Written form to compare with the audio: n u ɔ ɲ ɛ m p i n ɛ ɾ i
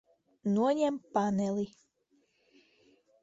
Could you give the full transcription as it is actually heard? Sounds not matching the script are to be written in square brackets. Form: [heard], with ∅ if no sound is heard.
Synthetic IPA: n u ɔ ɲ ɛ m p [a] n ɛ [l] i

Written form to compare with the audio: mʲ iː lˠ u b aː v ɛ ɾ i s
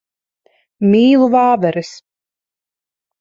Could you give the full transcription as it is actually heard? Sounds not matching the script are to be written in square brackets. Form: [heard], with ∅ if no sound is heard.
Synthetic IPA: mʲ iː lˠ u [v] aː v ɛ ɾ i s

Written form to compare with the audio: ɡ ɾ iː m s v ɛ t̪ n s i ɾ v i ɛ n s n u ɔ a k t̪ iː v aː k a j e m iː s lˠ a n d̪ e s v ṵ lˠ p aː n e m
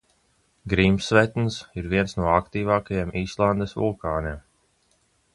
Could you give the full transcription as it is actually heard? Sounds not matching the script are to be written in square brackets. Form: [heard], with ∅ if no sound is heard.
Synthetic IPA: ɡ ɾ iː m s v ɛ t̪ n s i ɾ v i ɛ n s n u ɔ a k t̪ iː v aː k a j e m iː s lˠ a n d̪ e s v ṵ lˠ [k] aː n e m

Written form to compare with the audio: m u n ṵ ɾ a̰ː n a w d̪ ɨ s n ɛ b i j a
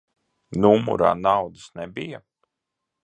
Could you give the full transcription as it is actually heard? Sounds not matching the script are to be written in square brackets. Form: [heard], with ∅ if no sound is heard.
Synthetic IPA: [n] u [m] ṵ ɾ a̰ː n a w d̪ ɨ s n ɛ b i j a

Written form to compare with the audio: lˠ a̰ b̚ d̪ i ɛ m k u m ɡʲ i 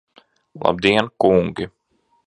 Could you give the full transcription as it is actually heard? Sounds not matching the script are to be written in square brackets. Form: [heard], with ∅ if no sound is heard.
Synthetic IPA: lˠ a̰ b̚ d̪ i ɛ [n] k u [ŋ] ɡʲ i

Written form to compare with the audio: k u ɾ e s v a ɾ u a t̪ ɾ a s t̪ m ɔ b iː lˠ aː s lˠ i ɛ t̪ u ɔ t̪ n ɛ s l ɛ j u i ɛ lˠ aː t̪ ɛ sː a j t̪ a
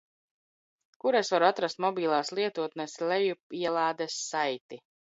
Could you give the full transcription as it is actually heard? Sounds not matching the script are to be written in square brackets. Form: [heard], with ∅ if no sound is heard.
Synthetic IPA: k u ɾ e s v a ɾ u a t̪ ɾ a s t̪ m ɔ b iː lˠ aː s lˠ i ɛ t̪ u ɔ t̪ n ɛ s l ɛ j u i ɛ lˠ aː [d̪] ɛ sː a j t̪ [i]

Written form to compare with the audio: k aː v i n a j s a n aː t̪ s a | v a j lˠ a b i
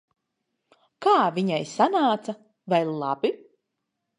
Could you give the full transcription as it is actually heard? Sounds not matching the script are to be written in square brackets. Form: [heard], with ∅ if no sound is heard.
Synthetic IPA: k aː v i [ɲ] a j s a n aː t̪ s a | v a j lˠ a b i

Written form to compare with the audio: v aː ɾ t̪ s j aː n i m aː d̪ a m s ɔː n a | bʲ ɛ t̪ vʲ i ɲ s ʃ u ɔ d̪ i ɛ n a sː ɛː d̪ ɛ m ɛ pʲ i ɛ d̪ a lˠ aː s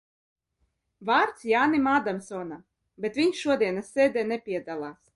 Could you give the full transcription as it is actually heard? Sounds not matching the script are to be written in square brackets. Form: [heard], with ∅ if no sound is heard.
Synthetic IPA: v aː ɾ t̪ s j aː n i m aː d̪ a m s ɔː n a | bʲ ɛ t̪ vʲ i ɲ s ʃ u ɔ d̪ i ɛ n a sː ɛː d̪ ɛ [n] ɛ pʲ i ɛ d̪ a lˠ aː s

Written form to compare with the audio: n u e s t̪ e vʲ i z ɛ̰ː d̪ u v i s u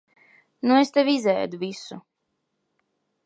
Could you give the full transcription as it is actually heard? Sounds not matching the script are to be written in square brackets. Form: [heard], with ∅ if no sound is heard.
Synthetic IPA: n u e s t̪ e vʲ i z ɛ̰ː d̪ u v i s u

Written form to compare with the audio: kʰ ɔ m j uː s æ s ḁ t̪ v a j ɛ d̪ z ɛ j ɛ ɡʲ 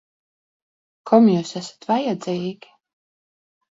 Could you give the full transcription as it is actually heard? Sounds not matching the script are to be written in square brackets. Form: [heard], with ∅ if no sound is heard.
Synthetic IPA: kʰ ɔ m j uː s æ s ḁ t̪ v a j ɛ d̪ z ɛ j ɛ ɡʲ

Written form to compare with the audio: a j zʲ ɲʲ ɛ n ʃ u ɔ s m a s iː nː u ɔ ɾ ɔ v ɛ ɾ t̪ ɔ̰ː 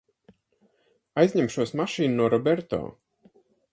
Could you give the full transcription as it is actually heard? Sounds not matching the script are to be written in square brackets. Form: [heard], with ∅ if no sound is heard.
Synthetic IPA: a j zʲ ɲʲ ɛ [m] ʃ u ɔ s m a [ʃ] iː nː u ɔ ɾ ɔ [b] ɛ ɾ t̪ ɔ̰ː

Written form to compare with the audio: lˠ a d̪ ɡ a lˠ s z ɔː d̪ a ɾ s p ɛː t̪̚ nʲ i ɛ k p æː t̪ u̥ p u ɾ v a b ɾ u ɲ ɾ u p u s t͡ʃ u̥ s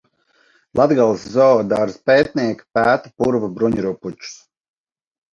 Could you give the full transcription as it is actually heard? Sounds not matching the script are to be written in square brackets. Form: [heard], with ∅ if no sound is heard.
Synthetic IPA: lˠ a d̪ ɡ a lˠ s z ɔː d̪ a ɾ s p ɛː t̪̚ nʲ i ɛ k p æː t̪ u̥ p u ɾ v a b ɾ u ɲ ɾ u p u [∅] t͡ʃ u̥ s

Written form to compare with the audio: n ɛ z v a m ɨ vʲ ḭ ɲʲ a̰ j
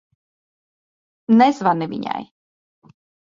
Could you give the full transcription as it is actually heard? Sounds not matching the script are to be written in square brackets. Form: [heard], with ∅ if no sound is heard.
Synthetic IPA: n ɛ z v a [n] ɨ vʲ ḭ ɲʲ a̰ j

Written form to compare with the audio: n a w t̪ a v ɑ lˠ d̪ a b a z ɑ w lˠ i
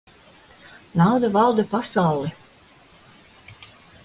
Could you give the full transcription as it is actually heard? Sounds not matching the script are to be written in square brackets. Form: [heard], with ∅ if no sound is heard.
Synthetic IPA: n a w [d̪] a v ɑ lˠ d̪ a [p] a [s] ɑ w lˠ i

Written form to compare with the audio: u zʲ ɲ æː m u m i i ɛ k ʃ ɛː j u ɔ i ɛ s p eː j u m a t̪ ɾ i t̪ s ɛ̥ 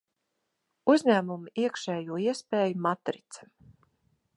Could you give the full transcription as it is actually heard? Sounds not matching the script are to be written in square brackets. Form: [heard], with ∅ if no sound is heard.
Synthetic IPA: u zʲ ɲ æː m u m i i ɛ k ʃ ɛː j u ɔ i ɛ s p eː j u m a t̪ ɾ i t̪ s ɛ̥

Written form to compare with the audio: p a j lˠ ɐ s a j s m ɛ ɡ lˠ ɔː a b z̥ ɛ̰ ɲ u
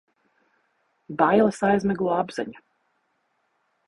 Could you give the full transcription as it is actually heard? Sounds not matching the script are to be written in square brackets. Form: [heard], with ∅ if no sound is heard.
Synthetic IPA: [b] a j lˠ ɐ s a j [z] m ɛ ɡ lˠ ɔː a b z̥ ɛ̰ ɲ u

